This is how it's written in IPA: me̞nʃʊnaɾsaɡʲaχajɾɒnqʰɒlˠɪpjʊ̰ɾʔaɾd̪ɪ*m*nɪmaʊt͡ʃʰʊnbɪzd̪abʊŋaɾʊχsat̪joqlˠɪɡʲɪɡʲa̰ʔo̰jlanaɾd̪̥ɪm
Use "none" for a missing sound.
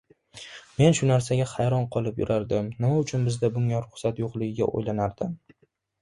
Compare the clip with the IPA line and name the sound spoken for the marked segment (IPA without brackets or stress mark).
m